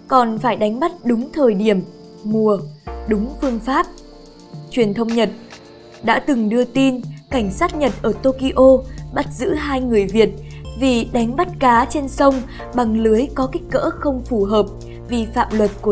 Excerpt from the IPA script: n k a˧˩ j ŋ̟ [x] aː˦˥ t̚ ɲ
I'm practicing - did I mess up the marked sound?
yes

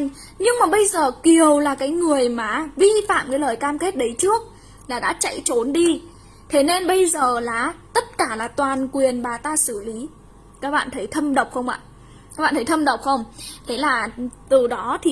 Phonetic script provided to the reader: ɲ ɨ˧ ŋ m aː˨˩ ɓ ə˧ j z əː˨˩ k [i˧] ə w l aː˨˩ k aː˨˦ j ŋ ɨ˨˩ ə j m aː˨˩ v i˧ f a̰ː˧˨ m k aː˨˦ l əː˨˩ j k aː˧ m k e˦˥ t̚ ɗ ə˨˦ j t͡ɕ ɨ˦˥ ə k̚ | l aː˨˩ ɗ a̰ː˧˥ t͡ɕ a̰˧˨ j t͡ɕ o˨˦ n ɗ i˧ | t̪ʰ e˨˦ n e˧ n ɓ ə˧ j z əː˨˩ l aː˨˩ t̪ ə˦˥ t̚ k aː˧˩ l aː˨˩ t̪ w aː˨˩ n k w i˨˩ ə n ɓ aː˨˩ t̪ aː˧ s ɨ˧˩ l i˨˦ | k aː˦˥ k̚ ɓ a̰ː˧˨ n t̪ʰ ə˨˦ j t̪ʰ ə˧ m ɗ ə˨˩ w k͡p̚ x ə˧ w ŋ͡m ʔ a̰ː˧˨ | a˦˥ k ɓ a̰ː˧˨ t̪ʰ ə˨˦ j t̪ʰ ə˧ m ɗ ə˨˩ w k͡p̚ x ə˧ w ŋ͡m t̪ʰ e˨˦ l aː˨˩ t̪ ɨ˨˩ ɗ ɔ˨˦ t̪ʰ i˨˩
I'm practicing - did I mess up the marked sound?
yes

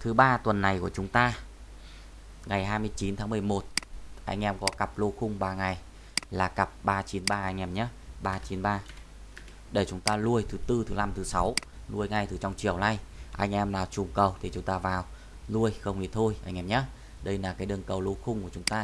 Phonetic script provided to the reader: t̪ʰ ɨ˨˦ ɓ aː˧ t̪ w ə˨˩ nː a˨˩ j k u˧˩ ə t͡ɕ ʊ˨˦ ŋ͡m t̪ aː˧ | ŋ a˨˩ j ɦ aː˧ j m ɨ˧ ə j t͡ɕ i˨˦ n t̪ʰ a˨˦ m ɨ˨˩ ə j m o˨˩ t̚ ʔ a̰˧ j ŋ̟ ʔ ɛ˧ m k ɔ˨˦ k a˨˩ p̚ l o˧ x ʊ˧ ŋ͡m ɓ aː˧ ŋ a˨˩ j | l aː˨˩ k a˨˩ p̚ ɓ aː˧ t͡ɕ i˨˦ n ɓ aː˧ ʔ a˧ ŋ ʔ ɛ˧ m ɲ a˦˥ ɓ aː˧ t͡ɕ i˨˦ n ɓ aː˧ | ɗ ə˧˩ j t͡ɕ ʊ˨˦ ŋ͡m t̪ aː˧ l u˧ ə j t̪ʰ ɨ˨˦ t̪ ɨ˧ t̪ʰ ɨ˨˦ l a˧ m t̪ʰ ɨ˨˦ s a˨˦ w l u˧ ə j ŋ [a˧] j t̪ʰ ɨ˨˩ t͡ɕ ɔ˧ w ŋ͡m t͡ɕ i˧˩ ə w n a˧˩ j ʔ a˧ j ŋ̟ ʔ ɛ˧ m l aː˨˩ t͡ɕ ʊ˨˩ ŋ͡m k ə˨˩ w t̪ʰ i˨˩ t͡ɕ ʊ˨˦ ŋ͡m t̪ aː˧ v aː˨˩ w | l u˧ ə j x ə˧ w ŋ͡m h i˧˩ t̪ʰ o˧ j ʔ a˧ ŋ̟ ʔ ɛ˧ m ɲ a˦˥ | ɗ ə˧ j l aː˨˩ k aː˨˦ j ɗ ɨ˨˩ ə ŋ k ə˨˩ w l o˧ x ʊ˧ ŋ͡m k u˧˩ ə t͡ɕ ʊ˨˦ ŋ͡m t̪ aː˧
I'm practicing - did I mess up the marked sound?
yes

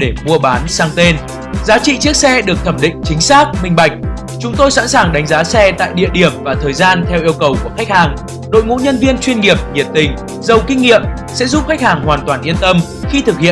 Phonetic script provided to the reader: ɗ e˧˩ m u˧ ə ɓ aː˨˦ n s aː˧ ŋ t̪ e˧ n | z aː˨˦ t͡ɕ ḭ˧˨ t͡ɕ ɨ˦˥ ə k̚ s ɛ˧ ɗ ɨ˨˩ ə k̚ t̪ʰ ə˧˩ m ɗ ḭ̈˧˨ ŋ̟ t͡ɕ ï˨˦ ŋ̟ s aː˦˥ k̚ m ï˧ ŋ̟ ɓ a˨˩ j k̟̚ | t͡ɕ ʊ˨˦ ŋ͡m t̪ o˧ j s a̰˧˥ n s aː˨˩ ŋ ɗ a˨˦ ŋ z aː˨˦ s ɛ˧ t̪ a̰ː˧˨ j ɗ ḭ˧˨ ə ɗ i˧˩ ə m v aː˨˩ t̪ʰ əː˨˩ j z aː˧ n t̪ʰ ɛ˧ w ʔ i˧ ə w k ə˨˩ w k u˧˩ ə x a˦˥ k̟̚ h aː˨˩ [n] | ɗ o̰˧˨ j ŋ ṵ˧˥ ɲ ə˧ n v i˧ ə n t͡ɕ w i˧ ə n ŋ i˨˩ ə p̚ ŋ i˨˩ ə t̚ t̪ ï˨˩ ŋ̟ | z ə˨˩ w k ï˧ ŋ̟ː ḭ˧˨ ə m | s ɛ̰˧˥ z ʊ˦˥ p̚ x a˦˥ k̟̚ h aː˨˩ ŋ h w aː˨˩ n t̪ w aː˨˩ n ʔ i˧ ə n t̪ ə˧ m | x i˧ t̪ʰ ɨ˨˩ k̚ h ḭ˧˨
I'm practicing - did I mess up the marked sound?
yes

